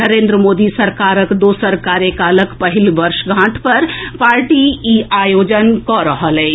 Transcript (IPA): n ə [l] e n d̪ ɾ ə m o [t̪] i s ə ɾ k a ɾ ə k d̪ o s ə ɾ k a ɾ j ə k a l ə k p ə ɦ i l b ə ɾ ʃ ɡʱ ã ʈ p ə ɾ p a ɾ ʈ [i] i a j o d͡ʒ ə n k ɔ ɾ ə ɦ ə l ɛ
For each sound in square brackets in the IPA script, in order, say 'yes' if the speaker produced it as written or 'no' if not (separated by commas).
no, no, yes